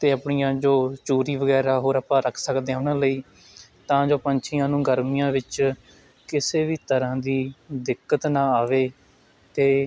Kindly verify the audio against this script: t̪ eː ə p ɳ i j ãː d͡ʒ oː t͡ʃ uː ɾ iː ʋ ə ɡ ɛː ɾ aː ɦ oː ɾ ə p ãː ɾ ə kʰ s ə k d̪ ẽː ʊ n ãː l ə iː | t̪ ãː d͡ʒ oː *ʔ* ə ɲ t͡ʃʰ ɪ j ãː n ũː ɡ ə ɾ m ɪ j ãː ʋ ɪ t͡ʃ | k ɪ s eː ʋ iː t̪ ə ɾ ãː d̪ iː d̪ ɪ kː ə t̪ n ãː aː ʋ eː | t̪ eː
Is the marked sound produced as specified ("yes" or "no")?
no